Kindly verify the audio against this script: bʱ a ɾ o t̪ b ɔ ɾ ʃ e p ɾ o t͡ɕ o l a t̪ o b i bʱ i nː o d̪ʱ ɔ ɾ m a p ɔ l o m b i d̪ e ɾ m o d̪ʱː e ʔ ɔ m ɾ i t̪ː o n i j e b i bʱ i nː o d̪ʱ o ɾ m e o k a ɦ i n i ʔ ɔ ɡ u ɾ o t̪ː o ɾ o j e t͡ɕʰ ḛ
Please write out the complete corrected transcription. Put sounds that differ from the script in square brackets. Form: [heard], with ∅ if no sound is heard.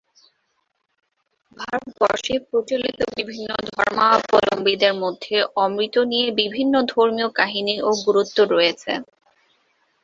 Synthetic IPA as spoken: bʱ a ɾ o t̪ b ɔ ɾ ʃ e p ɾ o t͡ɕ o l [i] t̪ o b i bʱ i nː o d̪ʱ ɔ ɾ m a p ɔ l o m b i d̪ e ɾ m o d̪ʱː e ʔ ɔ m ɾ i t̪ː o n i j e b i bʱ i nː o d̪ʱ o ɾ m [i] o k a ɦ i n i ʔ [o] ɡ u ɾ [u] t̪ː o ɾ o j e t͡ɕʰ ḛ